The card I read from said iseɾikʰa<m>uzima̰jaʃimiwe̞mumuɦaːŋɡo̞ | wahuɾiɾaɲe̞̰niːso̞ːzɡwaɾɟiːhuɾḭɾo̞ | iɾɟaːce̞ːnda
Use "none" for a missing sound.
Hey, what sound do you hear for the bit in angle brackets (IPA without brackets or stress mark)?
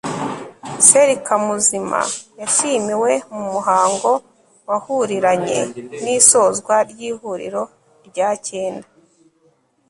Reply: m